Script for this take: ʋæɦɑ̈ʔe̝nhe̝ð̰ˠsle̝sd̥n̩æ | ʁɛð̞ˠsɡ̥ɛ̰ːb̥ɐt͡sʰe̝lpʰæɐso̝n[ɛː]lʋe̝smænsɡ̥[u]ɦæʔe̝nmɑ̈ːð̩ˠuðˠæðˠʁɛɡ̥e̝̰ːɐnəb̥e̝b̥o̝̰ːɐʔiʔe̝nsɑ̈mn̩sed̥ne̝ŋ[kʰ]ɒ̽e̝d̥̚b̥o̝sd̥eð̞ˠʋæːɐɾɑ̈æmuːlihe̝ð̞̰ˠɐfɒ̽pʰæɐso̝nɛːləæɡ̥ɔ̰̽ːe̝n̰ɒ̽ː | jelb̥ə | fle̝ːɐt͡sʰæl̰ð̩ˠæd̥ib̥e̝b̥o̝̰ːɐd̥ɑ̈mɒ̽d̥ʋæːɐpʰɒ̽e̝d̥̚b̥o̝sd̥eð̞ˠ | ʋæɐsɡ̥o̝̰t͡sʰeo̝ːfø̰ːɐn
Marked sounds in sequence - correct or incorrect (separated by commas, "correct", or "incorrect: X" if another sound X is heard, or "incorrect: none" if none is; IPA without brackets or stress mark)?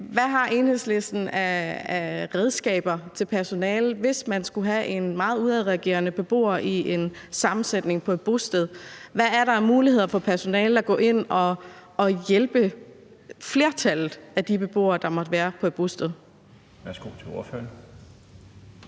correct, correct, incorrect: pʰ